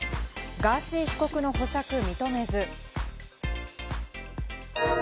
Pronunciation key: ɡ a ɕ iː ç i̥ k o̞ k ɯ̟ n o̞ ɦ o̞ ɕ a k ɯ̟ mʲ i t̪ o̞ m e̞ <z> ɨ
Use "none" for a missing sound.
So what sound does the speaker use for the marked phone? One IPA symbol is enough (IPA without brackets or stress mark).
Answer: z